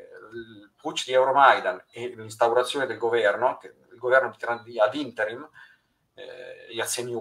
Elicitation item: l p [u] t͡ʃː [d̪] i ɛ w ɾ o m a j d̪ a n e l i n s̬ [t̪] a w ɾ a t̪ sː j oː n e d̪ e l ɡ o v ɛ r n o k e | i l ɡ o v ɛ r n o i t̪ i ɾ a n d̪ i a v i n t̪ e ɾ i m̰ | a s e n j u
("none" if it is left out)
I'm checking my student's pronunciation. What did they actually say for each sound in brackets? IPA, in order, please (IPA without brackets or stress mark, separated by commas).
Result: u, d̪, t̪